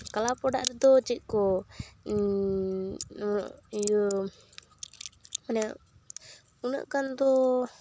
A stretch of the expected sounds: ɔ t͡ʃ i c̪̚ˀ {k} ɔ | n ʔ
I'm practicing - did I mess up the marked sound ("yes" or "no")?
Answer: no